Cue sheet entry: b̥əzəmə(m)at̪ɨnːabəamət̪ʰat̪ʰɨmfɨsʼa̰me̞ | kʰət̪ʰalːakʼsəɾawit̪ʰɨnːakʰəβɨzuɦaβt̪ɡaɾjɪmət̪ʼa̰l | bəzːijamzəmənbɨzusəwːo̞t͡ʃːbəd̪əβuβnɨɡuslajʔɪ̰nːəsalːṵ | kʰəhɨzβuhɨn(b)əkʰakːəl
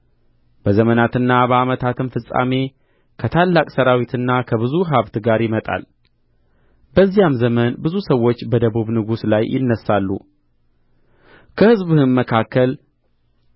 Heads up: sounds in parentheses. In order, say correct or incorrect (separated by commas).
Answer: incorrect, incorrect